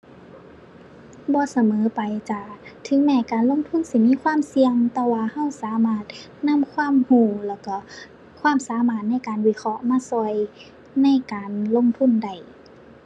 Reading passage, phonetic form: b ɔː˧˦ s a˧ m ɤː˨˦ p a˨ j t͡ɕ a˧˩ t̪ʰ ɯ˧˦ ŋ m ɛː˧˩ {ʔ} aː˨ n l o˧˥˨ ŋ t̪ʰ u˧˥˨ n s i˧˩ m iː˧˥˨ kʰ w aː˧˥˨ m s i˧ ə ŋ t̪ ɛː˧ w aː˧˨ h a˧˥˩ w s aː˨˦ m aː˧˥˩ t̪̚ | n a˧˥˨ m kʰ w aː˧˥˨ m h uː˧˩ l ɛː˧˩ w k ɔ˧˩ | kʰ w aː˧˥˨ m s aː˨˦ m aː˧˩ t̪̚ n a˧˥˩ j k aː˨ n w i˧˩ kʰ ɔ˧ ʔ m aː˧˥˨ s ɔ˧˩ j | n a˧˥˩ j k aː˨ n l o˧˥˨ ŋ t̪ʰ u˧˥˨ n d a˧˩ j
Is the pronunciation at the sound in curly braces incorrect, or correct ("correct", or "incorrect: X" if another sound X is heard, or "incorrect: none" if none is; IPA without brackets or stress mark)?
incorrect: k